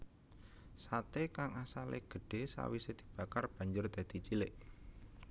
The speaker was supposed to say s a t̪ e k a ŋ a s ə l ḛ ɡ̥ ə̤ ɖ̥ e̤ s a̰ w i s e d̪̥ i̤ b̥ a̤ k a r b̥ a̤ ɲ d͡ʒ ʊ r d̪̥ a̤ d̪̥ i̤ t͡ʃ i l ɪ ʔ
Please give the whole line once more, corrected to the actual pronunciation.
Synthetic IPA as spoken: s a t̪ e k a ŋ a s a l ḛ ɡ̥ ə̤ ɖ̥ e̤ s a̰ w i s e d̪̥ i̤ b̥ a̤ k a r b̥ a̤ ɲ d͡ʒ ʊ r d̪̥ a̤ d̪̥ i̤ t͡ʃ i l ɪ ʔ